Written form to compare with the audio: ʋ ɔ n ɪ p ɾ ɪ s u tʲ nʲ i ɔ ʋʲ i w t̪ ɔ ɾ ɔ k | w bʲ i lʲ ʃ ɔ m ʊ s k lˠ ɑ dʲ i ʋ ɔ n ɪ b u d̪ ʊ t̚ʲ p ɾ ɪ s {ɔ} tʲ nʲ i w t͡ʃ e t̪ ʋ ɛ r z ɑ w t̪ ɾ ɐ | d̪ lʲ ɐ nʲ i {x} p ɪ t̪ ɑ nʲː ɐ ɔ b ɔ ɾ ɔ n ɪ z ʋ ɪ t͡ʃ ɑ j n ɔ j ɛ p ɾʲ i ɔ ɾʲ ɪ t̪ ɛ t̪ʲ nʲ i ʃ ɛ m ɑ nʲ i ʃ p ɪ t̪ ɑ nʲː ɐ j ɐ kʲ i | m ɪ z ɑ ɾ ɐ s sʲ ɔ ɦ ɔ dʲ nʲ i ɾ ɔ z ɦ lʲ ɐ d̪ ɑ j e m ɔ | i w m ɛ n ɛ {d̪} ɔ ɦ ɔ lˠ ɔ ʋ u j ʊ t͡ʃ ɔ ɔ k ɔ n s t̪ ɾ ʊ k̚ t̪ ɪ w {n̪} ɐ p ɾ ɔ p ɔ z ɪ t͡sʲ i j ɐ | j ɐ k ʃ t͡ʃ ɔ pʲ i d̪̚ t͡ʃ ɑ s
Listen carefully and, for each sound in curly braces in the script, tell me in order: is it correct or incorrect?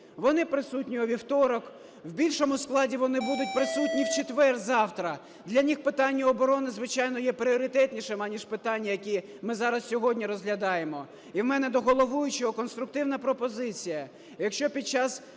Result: incorrect: u, correct, correct, correct

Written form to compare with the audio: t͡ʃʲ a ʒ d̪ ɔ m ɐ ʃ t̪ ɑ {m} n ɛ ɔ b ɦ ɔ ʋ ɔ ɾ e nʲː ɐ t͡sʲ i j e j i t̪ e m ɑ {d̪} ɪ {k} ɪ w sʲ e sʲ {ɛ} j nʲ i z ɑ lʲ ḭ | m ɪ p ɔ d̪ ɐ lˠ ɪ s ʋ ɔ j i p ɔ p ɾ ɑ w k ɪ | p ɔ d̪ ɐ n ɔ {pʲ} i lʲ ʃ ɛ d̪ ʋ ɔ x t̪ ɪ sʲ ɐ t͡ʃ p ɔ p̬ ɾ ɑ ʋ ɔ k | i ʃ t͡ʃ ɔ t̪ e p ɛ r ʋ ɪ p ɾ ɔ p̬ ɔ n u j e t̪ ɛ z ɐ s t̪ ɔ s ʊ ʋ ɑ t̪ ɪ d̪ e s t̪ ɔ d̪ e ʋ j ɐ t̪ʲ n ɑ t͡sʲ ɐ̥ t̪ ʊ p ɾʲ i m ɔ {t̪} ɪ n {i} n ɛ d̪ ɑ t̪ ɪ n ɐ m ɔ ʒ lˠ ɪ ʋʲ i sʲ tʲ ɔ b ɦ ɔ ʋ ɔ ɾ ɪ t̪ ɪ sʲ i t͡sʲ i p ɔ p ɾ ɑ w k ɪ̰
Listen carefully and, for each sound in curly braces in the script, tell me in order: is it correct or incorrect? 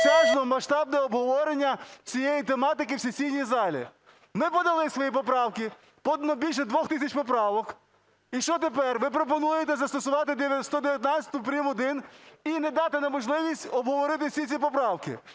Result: incorrect: b, incorrect: t̪, correct, incorrect: i, incorrect: bʲ, incorrect: d̪, correct

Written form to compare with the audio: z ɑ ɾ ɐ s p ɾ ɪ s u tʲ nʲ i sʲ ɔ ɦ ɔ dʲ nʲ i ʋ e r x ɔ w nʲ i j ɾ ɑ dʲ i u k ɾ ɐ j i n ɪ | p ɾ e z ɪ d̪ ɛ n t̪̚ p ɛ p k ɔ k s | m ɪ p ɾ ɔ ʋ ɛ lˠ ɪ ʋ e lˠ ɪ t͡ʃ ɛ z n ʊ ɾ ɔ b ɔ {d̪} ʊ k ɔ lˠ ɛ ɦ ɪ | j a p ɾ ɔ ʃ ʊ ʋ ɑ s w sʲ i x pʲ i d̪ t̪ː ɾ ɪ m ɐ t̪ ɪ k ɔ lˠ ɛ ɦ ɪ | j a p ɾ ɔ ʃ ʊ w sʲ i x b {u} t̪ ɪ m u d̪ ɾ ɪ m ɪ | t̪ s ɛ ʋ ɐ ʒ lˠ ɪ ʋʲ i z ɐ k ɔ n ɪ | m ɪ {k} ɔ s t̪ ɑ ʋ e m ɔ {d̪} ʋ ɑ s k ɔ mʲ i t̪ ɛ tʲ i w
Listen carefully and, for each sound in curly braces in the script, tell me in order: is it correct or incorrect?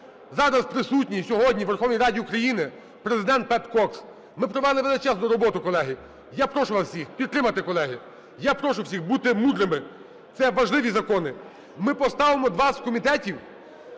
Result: incorrect: t̪, correct, incorrect: p, correct

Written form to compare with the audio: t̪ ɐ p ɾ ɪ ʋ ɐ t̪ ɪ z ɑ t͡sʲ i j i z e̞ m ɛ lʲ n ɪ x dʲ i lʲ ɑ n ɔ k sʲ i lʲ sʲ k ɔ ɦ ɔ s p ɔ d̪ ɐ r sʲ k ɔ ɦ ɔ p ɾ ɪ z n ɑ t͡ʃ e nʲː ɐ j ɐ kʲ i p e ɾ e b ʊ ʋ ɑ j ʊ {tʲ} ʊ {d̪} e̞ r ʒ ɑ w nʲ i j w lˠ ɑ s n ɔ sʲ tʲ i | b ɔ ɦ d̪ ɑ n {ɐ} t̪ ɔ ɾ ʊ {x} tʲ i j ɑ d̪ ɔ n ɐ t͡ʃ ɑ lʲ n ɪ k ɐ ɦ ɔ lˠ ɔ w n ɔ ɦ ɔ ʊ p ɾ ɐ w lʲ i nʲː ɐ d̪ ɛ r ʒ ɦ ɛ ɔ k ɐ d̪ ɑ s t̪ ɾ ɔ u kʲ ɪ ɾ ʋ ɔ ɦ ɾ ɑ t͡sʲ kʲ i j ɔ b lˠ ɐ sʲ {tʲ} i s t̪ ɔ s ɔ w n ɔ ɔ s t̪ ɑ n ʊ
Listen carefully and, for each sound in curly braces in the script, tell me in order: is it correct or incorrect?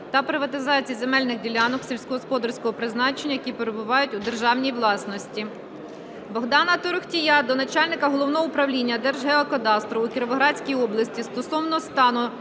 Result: correct, correct, correct, correct, correct

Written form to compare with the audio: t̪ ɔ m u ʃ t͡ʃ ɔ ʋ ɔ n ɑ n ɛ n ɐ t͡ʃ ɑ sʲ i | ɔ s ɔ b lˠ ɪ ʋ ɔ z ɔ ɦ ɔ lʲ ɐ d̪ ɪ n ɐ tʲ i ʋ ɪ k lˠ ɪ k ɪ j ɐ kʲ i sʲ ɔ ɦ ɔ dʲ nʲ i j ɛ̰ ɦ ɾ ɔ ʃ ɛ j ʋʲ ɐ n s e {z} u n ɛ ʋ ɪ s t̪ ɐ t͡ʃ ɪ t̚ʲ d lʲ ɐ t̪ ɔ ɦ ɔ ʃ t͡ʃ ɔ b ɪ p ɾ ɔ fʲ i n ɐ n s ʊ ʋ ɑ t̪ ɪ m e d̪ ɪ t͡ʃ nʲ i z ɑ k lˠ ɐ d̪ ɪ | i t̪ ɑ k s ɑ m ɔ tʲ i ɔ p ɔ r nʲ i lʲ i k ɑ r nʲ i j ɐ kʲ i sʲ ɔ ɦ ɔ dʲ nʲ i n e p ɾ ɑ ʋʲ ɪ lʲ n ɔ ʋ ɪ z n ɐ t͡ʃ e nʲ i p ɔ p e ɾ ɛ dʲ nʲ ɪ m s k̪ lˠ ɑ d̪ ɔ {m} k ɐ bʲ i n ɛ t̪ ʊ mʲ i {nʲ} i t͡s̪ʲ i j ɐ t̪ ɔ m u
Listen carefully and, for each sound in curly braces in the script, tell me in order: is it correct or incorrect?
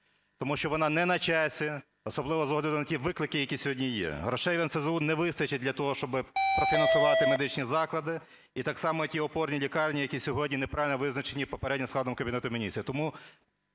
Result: correct, correct, correct

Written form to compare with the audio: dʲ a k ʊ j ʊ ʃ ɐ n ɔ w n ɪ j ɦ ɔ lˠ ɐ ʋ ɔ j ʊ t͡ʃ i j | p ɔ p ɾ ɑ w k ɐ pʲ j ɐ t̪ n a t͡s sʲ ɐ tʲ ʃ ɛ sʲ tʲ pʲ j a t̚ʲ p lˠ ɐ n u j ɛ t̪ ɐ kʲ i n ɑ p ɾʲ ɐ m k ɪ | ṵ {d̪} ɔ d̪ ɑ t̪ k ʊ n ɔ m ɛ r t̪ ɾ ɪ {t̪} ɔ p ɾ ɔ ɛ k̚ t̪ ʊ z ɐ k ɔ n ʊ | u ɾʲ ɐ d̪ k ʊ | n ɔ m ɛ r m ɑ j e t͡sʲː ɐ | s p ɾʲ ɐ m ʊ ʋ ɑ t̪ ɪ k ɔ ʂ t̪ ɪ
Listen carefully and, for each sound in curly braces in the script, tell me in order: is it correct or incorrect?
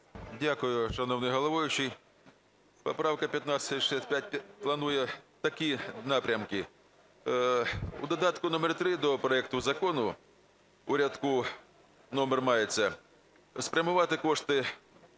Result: correct, incorrect: d̪

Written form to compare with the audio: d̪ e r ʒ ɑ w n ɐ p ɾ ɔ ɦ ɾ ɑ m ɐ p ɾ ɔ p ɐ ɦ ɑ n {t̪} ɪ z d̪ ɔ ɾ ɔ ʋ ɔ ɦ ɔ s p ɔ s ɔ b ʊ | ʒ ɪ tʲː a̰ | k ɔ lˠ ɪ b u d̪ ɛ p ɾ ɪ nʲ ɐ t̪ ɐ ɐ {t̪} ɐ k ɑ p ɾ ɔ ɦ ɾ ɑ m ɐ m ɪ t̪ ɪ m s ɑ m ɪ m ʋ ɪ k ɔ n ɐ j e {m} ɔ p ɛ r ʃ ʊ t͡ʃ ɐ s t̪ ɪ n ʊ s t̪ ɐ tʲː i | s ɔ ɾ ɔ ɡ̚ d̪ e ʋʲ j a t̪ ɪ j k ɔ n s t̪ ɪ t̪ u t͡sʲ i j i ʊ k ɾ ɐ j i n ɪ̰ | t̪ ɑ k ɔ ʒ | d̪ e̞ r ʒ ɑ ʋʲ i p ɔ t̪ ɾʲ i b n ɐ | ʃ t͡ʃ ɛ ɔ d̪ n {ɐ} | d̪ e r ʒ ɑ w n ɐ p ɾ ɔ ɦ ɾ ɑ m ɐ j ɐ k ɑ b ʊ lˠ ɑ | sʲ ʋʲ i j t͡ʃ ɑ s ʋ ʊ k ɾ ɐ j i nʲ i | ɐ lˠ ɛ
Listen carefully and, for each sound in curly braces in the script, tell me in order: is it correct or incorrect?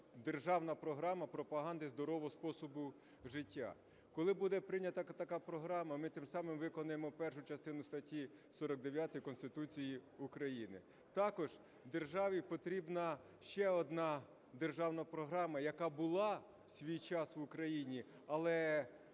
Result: incorrect: d̪, correct, correct, incorrect: ɑ

